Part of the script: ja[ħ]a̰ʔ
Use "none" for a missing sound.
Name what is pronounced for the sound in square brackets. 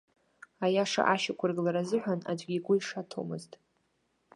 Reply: ʂ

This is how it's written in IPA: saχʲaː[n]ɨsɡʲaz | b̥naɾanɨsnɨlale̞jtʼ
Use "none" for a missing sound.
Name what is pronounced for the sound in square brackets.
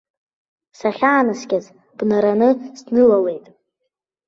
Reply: n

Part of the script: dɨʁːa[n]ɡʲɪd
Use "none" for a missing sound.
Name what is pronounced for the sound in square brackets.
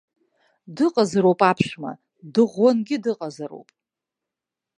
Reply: n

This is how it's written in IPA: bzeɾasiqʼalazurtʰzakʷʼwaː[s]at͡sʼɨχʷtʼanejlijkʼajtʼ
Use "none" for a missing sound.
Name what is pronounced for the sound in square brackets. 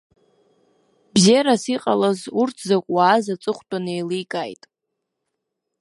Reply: z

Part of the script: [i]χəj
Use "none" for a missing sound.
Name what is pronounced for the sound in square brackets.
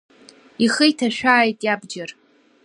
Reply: i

